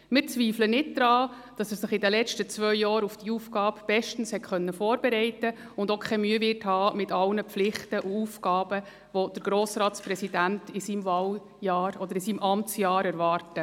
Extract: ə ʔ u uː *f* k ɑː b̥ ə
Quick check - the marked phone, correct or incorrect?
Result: correct